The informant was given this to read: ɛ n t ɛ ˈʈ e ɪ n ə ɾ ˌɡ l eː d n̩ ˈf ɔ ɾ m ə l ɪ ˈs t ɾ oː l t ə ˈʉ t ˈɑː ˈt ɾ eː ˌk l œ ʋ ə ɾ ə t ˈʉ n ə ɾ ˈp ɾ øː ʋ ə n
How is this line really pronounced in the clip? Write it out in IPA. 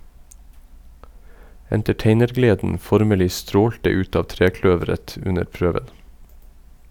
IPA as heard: ɛ n t ɛ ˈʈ e ɪ n ə ɾ ˌɡ l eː d n̩ ˈf ɔ ɾ m ə l ɪ ˈs t ɾ oː l t ə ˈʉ t ˈɑː ˈt ɾ eː ˌk l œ ʋ ə ɾ ə t ˈʉ n ə ɾ ˈp ɾ øː ʋ ə n

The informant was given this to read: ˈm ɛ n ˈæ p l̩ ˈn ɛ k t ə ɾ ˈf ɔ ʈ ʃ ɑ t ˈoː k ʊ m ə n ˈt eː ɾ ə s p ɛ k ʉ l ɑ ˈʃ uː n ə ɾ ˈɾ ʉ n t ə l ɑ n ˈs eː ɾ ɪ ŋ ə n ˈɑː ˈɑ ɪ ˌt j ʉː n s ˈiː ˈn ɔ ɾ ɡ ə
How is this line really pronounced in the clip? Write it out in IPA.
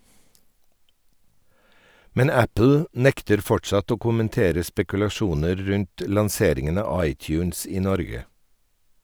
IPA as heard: ˈm ɛ n ˈæ p l̩ ˈn ɛ k t ə ɾ ˈf ɔ ʈ ʃ ɑ t ˈoː k ʊ m ə n ˈt eː ɾ ə s p ɛ k ʉ l ɑ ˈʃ uː n ə ɾ ˈɾ ʉ n t ə l ɑ n ˈs eː ɾ ɪ ŋ ə n ˈɑː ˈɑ ɪ ˌt j ʉː n s ˈiː ˈn ɔ ɾ ɡ ə

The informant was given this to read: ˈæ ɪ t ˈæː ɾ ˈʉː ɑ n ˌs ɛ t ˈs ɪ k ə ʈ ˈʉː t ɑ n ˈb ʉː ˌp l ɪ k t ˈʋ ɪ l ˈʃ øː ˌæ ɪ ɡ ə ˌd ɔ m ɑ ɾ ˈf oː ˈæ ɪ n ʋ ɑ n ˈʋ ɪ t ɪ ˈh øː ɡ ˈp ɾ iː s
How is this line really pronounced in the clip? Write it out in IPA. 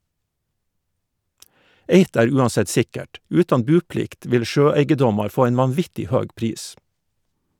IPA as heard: ˈe ɪ t ˈæː ɾ ˈʉː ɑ n ˌs ɛ t ˈs ɪ k ə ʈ ˈʉː t ɑ n ˈb ʉː ˌp l ɪ k t ˈʋ ɪ l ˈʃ øː ˌæ ɪ ɡ ə ˌd ɔ m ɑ ɾ ˈf oː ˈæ ɪ n ʋ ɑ n ˈʋ ɪ t ɪ ˈh øː ɡ ˈp ɾ iː s

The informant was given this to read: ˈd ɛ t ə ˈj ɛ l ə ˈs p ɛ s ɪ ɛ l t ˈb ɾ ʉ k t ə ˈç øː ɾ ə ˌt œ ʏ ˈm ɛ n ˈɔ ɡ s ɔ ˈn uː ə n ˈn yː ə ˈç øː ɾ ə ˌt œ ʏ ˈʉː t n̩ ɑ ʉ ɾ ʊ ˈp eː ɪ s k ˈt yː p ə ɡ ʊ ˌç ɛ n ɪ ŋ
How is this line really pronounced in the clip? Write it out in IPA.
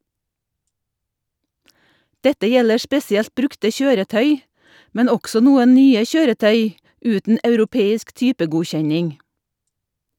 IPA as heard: ˈd ɛ t ə ˈj ɛ l ə ˈs p ɛ s ɪ ɛ l t ˈb ɾ ʉ k t ə ˈç øː ɾ ə ˌt œ ʏ ˈm ɛ n ˈɔ ɡ s ɔ ˈn uː ə n ˈn yː ə ˈç øː ɾ ə ˌt œ ʏ ˈʉː t n̩ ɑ ʉ ɾ ʊ ˈp eː ɪ s k ˈt yː p ə ɡ ʊ ˌç ɛ ɲ ɪ ŋ

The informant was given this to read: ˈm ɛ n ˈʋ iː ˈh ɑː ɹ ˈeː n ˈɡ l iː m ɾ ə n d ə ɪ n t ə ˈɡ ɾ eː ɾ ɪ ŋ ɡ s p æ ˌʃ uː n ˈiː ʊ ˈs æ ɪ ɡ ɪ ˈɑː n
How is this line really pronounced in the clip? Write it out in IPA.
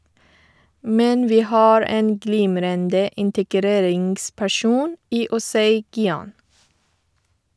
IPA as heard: ˈm ɛ n ˈʋ iː ˈh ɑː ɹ ˈeː n ˈɡ l iː m ɾ ə n d ə ɪ n t ə ˈɡ ɾ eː ɾ ɪ ŋ ɡ s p æ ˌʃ uː n ˈiː ʊ ˈs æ ɪ ɡ ɪ ˈɑː n

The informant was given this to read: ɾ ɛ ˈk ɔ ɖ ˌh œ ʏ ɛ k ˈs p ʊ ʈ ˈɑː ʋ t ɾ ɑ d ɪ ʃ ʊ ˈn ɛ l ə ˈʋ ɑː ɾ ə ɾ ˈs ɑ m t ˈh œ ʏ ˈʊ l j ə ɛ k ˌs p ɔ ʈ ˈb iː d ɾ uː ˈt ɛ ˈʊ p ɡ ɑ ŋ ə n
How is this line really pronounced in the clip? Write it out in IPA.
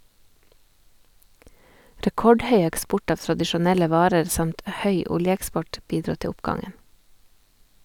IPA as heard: ɾ ɛ ˈk ɔ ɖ ˌh œ ʏ ɛ k ˈs p ʊ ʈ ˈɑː ʋ t ɾ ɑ d ɪ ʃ ʊ ˈn ɛ l ə ˈʋ ɑː ɾ ə ɾ ˈs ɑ m t ˈh œ ʏ ˈʊ l j ə ɛ k ˌs p ɔ ʈ ˈb iː d ɾ uː ˈt ɛ ˈʊ p ɡ ɑ ŋ ə n

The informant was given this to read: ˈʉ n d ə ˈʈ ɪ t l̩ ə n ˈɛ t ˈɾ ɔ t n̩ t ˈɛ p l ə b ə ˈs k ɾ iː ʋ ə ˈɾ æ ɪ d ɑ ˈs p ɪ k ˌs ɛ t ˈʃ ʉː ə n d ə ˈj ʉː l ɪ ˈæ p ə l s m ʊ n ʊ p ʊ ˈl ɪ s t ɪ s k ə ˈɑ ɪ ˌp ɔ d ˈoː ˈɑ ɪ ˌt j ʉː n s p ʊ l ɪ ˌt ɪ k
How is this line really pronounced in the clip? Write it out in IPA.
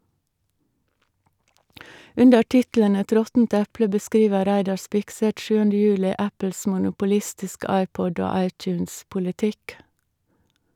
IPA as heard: ˈʉ n d ə ˈʈ ɪ t l̩ ə n ˈɛ t ˈɾ ɔ t n̩ t ˈɛ p l ə b ə ˈs k ɾ iː ʋ ə ˈɾ æ ɪ d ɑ ˈs p ɪ k ˌs ɛ t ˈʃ ʉː ə n d ə ˈj ʉː l ɪ ˈæ p ə l s m ʊ n ʊ p ʊ ˈl ɪ s t ɪ s k ə ˈɑ ɪ ˌp ɔ d ˈoː ˈɑ ɪ ˌt j ʉː n s p ʊ l ɪ ˌt ɪ k

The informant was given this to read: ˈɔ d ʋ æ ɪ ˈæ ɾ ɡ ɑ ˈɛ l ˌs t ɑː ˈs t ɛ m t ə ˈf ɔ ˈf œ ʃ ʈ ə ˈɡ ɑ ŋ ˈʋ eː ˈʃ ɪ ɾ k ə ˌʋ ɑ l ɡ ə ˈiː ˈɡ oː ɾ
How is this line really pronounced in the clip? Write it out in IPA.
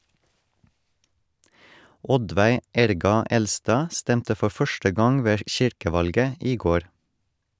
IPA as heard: ˈɔ d ʋ æ ɪ ˈæ ɾ ɡ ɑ ˈɛ l ˌs t ɑː ˈs t ɛ m t ə ˈf ɔ ˈf œ ʃ ʈ ə ˈɡ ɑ ŋ ˈʋ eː ˈʃ ɪ ɾ k ə ˌʋ ɑ l ɡ ə ˈiː ˈɡ oː ɾ

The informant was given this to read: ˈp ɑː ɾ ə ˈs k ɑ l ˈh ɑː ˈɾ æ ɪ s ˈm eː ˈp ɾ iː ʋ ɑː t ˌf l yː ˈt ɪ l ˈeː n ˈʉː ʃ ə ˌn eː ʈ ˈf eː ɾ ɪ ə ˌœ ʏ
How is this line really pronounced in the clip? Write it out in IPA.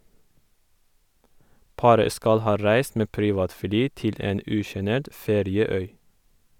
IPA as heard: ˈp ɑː ɾ ə ˈs k ɑ l ˈh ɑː ˈɾ æ ɪ s ˈm eː ˈp ɾ iː ʋ ɑː t ˌf l yː ˈt ɪ l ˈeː n ˈʉː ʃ ə ˌn eː ʈ ˈf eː ɾ ɪ ə ˌœ ʏ

